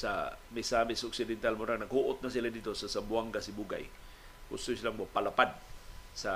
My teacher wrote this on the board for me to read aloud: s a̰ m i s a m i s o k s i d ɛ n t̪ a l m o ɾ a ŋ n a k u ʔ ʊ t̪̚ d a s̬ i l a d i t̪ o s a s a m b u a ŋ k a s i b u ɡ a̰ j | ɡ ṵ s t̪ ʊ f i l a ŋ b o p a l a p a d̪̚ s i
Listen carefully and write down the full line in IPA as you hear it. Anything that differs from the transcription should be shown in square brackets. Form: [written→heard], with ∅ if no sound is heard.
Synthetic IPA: s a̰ m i s a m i s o k s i d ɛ n t̪ a l m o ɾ a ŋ n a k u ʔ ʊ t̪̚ [d→n] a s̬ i l a d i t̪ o s a s a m b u a ŋ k a s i b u ɡ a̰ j | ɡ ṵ s t̪ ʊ [f→s] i l a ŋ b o p a l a p a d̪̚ s [i→a]